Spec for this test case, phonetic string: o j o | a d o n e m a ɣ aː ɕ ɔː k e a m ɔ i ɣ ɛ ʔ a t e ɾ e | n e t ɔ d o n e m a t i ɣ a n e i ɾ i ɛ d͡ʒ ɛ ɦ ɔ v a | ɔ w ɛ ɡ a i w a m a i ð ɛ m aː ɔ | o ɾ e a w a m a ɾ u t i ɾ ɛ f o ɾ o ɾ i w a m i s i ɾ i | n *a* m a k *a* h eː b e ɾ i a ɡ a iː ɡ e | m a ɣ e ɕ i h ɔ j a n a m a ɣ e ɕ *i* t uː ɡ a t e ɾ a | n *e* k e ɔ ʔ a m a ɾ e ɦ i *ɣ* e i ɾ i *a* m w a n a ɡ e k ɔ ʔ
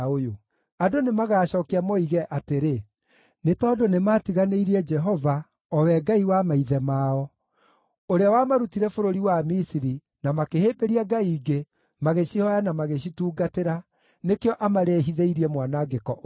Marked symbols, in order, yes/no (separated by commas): yes, no, yes, yes, no, no